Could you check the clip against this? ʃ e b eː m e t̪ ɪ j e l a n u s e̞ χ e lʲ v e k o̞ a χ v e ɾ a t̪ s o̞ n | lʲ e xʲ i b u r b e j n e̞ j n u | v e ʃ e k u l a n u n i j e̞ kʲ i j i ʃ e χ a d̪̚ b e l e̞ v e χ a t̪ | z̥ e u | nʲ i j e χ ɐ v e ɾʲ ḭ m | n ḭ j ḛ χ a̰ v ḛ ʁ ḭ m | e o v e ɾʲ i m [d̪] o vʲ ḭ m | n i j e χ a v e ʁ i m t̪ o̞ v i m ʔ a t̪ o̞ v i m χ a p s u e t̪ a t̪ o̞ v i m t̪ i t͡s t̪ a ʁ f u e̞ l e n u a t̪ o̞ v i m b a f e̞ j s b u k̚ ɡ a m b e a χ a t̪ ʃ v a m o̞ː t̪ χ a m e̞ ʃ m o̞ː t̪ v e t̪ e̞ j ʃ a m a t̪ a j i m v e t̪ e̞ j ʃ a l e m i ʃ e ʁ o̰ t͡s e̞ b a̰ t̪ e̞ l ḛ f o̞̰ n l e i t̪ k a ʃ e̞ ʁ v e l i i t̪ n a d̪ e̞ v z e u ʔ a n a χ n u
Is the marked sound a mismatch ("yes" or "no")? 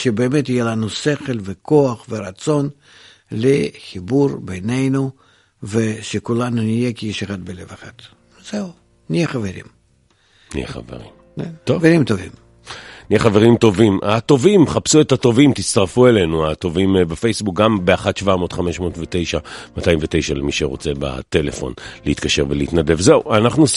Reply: yes